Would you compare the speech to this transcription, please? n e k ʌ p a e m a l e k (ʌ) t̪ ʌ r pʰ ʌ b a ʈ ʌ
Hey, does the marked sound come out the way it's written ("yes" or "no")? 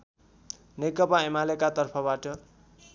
no